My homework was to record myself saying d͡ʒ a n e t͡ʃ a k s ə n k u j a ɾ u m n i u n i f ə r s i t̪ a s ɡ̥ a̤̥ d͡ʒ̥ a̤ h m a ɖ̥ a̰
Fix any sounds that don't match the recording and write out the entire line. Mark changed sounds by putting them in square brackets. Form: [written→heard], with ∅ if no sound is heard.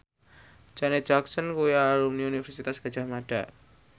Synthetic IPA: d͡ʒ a n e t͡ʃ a k s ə n k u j a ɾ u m n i u n i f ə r s i t̪ a s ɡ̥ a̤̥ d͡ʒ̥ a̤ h m a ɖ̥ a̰